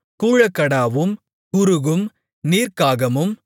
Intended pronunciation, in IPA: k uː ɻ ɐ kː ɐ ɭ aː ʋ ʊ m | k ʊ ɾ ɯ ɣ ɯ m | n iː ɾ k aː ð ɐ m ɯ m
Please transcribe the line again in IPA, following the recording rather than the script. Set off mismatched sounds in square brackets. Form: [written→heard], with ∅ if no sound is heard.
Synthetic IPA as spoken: k uː ɻ ɐ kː ɐ [ɭ→ɽ] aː ʋ [ʊ→ɯ] m | k ʊ ɾ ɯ ɣ ɯ m | n iː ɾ k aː [ð→ɣ] ɐ m ɯ m